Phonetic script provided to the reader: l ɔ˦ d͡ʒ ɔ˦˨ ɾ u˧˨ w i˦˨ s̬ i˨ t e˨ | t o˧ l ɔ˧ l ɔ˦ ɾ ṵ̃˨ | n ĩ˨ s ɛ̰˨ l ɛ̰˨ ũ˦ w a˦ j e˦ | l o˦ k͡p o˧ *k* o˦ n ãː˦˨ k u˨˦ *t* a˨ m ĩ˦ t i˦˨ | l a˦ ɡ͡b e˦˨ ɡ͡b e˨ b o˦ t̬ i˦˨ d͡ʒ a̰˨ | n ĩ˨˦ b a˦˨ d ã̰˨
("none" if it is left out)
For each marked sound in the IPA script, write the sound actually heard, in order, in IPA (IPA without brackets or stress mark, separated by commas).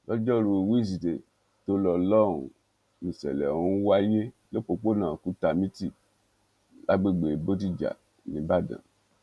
k͡p, t